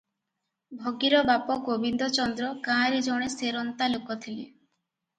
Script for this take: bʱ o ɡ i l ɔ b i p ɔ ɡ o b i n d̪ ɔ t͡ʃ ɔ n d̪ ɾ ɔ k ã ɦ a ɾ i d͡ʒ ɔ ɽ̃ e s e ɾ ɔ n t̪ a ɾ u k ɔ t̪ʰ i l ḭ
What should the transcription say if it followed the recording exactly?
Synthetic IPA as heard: bʱ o ɡ i ɾ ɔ b a p ɔ ɡ o b i n d̪ ɔ t͡ʃ ɔ n d̪ ɾ ɔ k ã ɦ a ɾ i d͡ʒ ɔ ɽ̃ e s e ɾ ɔ n t̪ a l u k ɔ t̪ʰ i l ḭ